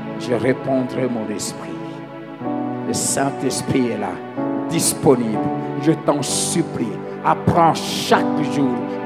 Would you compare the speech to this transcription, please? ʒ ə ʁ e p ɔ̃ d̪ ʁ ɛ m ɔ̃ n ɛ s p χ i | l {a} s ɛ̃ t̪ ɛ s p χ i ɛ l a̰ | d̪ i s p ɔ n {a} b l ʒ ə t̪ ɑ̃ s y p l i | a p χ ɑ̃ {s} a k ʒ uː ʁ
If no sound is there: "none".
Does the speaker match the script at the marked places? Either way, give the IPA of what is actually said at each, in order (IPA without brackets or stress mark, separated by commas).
ə, i, ʃ